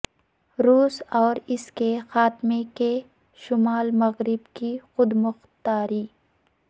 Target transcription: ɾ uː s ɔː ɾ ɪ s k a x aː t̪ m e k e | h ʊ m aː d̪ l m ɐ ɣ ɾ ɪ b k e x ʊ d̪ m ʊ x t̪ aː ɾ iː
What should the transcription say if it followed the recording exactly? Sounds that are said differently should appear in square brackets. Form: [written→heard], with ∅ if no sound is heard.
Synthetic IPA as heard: ɾ uː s ɔː ɾ ɪ s k [a→e] x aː t̪ m e k e | [h→ʃ] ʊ m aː [d̪→∅] l m ɐ ɣ ɾ ɪ b k [e→i] x ʊ d̪ m ʊ x t̪ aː ɾ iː